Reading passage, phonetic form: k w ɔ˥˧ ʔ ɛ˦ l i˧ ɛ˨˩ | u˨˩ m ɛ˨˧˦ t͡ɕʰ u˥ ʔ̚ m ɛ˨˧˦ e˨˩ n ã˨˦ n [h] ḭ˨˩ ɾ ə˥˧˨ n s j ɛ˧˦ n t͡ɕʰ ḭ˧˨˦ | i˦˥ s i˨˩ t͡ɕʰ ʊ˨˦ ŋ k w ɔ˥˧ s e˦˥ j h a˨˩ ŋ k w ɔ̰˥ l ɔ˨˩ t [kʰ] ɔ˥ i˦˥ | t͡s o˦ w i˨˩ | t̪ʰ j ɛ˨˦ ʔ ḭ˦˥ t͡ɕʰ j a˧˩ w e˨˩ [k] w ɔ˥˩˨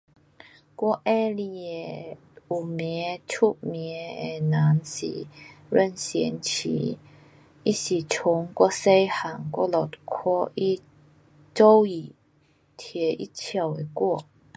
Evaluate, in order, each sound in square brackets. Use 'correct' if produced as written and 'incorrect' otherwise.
incorrect, correct, correct

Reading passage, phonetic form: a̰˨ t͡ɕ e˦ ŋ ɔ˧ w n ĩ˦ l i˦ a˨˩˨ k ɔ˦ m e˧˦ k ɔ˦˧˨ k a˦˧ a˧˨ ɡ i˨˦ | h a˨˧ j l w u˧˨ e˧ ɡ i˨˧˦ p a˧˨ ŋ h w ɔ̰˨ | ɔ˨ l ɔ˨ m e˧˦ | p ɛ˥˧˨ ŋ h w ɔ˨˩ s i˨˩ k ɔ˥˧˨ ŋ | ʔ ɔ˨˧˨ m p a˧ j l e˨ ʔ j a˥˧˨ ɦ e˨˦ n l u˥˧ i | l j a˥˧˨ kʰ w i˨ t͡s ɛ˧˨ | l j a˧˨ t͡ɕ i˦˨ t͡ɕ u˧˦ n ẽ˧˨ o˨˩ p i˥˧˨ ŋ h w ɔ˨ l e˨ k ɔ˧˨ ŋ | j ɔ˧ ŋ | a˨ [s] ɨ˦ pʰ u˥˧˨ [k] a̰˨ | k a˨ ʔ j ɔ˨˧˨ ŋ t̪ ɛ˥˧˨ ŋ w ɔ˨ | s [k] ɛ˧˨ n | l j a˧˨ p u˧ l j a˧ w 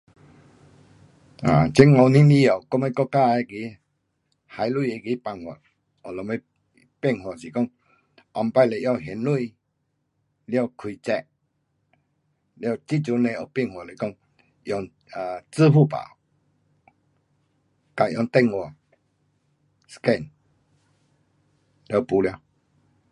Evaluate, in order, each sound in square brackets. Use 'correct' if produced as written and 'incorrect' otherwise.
incorrect, incorrect, correct

